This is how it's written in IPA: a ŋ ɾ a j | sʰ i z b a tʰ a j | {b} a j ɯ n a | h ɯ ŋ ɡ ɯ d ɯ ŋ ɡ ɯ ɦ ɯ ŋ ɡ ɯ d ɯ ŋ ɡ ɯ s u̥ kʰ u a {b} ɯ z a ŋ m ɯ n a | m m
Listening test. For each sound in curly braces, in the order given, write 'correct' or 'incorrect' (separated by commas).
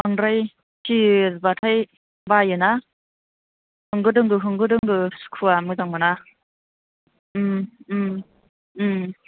correct, incorrect